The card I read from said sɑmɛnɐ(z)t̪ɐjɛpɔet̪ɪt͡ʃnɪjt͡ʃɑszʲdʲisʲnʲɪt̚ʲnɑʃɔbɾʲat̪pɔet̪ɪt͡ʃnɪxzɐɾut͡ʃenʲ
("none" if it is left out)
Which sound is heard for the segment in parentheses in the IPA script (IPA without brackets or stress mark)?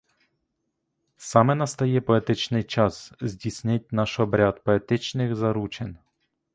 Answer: s